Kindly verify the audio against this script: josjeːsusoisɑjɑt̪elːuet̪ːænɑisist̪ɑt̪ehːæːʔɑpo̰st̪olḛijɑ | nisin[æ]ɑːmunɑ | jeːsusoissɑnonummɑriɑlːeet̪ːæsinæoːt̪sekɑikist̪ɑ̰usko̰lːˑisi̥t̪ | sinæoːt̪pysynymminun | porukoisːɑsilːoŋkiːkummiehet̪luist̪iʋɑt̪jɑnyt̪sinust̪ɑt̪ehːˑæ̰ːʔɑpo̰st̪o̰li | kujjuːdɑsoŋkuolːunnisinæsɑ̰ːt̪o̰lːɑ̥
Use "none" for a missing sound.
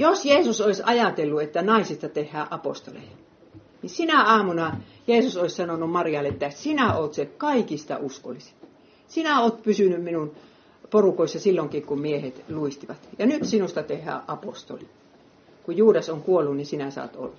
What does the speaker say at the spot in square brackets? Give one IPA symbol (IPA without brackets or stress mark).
æ